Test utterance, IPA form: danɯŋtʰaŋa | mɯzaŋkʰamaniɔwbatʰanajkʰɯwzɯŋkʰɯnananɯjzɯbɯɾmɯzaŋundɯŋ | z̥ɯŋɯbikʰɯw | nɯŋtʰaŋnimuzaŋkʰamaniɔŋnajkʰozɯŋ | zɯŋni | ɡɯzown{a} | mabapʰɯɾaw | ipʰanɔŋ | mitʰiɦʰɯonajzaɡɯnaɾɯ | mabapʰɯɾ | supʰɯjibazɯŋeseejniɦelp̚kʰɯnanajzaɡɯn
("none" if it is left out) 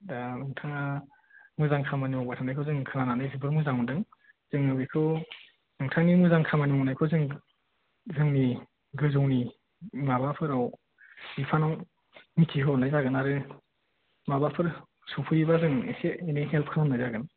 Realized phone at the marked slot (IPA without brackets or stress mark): i